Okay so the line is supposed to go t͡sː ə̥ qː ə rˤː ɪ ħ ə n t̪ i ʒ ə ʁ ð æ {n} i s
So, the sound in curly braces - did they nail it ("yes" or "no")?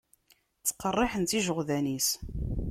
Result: yes